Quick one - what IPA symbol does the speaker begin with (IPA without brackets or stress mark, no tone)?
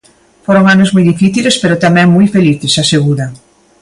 f